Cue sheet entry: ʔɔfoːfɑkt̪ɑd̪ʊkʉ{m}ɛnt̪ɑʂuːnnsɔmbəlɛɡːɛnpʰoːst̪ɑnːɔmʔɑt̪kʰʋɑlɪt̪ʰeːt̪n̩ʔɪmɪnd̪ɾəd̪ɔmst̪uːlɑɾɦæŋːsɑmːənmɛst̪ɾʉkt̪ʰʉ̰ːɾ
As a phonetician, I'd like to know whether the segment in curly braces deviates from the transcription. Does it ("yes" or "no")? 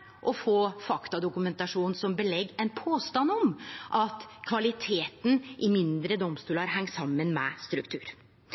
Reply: no